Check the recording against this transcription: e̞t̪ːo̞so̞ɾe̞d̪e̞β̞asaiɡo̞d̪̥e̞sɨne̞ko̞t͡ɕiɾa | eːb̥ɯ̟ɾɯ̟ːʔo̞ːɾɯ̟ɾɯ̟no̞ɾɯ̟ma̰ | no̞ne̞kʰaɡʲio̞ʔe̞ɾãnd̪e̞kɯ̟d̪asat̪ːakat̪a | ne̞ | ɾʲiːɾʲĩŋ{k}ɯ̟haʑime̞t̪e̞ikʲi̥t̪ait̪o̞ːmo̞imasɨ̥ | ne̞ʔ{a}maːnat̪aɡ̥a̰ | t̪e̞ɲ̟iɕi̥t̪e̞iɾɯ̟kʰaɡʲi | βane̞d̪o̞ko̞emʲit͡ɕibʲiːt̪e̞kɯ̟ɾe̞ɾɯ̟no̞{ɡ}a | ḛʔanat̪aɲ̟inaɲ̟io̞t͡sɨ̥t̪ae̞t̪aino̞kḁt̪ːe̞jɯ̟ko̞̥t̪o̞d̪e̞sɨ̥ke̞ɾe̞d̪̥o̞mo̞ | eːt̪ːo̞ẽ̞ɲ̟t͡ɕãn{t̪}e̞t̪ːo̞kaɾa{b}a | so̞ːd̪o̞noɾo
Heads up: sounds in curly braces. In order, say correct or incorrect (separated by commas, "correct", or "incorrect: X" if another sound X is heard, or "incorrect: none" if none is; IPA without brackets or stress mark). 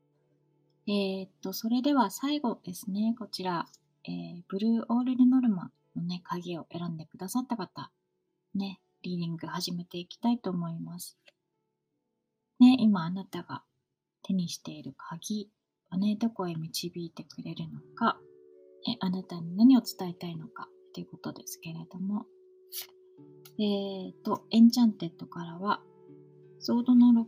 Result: incorrect: ɡ, incorrect: i, incorrect: k, correct, incorrect: β